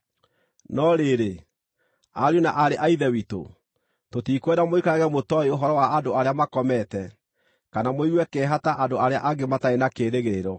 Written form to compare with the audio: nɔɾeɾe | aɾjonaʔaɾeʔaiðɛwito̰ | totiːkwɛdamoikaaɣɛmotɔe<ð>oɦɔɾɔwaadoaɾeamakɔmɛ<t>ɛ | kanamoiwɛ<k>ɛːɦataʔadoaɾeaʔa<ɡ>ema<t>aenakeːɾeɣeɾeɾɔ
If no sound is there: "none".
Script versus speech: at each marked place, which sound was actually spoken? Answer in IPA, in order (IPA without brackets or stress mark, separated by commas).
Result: none, t, k, ɡ, t